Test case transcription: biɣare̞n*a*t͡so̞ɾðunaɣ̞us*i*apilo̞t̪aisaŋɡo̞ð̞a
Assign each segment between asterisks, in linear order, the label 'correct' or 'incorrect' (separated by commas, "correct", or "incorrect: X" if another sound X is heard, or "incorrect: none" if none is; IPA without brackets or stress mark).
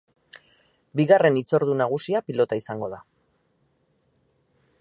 incorrect: i, correct